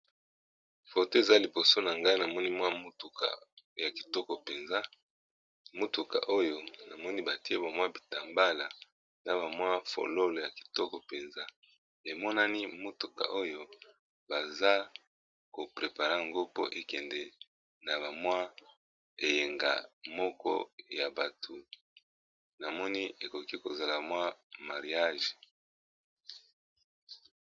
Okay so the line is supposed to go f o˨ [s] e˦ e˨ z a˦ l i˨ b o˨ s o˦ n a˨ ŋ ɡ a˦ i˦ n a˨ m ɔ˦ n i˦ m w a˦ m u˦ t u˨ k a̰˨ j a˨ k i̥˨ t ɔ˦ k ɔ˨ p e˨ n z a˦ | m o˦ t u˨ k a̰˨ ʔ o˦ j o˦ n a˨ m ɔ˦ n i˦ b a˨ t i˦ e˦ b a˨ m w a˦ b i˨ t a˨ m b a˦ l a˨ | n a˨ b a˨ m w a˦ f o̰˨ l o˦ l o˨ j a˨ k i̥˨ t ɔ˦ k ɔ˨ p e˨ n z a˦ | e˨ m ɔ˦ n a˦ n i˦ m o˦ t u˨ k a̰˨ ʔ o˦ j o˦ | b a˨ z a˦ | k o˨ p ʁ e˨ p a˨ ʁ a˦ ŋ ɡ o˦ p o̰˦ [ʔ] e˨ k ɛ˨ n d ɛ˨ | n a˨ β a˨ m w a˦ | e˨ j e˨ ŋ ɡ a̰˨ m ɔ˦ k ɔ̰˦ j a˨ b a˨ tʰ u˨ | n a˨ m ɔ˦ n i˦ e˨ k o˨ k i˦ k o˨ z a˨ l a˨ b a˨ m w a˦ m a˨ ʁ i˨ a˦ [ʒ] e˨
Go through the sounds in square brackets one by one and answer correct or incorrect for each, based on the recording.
incorrect, correct, correct

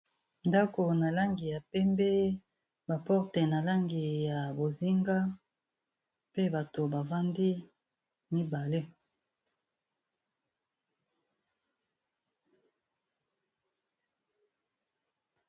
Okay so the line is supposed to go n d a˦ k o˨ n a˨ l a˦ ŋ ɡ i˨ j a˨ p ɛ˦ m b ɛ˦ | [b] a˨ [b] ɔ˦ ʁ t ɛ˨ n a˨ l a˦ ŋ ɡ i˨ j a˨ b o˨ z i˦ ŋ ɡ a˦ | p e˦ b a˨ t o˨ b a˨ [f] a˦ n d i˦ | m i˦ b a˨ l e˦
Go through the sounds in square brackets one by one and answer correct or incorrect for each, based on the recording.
correct, incorrect, incorrect

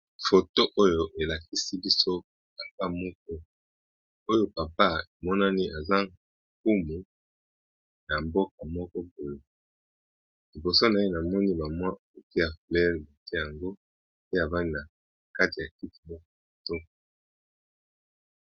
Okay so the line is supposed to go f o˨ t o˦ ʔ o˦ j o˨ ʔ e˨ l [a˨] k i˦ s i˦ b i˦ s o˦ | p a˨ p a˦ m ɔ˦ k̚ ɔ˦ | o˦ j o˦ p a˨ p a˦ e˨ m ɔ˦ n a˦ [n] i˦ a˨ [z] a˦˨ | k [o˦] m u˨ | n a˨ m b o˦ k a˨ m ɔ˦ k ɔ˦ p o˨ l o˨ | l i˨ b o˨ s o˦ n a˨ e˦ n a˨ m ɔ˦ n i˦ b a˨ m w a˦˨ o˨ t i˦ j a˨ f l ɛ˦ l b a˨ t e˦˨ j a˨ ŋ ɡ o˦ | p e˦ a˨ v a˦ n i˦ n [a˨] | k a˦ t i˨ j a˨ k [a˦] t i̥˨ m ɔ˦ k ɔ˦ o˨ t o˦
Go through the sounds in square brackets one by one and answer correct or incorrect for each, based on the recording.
correct, correct, correct, incorrect, correct, incorrect

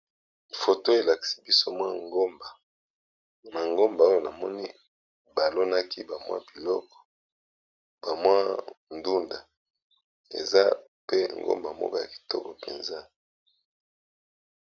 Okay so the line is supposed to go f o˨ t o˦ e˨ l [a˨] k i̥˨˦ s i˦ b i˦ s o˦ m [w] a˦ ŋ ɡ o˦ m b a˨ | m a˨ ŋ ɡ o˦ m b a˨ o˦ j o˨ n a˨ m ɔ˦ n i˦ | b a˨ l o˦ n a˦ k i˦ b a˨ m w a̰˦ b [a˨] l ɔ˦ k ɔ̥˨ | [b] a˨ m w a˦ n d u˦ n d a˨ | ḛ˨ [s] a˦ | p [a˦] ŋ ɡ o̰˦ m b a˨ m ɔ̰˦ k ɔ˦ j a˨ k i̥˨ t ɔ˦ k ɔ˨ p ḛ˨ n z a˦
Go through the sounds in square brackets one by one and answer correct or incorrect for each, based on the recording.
correct, correct, incorrect, correct, incorrect, incorrect

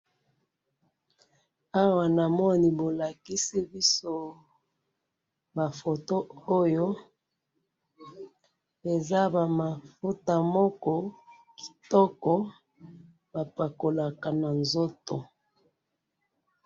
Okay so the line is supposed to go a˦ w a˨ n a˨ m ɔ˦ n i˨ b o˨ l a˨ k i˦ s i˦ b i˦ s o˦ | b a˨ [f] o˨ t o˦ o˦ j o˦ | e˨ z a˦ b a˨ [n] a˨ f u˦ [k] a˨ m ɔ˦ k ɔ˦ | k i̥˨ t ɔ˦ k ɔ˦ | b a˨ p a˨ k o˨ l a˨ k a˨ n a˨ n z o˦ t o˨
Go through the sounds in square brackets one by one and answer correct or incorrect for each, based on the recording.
correct, incorrect, incorrect

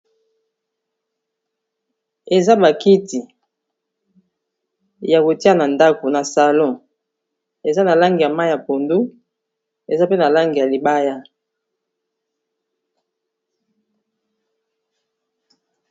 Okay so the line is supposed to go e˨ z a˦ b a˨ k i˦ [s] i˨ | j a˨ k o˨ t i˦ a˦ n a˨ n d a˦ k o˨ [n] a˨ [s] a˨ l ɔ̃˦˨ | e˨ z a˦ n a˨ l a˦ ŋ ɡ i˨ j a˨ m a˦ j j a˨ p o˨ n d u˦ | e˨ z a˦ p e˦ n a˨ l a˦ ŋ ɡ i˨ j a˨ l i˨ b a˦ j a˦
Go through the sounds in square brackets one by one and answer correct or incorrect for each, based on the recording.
incorrect, correct, correct

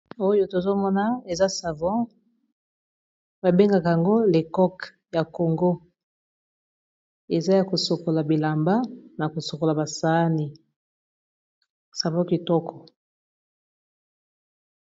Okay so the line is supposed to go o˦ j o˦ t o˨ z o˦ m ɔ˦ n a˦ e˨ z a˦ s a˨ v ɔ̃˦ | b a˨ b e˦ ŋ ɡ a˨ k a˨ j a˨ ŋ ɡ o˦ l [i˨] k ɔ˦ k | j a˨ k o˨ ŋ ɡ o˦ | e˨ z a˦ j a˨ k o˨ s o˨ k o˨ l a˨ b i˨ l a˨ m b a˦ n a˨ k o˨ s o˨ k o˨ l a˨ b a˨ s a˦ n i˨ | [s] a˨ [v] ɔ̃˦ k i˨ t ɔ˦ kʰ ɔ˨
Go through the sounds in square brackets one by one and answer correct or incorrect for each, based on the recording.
incorrect, correct, correct

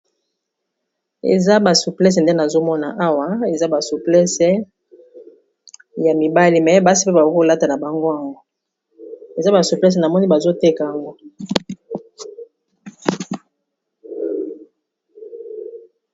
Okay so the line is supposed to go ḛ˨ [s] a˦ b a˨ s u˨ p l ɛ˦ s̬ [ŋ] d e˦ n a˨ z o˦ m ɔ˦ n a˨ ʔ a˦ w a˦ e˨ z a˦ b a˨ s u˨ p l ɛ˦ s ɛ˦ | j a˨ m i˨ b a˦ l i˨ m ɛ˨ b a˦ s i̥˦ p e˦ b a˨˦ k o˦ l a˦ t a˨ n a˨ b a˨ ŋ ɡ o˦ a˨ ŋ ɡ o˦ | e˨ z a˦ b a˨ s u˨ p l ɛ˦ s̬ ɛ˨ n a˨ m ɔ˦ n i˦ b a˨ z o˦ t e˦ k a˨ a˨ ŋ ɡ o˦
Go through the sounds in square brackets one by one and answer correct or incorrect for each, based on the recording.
incorrect, incorrect

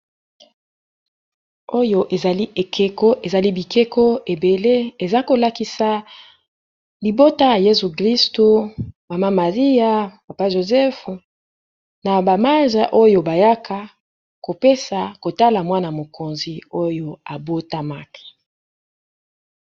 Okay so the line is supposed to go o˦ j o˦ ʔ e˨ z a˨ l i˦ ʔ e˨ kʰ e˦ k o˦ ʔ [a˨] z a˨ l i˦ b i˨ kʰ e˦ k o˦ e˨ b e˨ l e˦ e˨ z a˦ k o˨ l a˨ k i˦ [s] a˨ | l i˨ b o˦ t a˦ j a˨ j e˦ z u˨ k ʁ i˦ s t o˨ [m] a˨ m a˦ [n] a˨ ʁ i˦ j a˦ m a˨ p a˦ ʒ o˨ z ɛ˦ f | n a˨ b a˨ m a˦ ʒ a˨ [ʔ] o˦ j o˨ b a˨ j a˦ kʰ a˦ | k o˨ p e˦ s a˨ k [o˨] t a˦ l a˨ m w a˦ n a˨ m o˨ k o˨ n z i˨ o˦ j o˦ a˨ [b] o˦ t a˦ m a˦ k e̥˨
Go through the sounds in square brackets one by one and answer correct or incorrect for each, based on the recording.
incorrect, correct, correct, incorrect, correct, correct, correct

